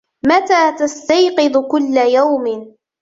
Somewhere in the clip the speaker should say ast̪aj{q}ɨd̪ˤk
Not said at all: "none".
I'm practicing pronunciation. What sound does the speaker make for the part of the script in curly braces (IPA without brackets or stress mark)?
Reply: q